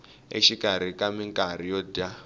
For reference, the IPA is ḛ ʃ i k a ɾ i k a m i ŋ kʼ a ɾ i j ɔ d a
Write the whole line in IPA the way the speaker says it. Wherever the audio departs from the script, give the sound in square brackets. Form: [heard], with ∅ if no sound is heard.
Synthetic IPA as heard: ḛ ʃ i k a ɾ i k a m i ŋ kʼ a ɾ i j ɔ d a